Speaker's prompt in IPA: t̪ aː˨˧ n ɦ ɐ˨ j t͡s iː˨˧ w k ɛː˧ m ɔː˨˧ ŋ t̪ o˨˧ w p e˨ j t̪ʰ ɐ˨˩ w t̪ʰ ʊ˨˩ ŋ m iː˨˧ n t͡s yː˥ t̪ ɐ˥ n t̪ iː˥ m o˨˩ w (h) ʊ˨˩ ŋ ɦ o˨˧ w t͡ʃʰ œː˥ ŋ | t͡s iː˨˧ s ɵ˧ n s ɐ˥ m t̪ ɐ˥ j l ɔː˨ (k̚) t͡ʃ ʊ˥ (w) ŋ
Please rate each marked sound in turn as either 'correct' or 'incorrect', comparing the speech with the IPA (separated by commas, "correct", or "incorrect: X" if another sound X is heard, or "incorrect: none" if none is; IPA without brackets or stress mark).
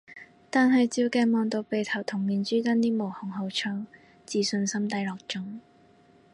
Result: correct, correct, incorrect: none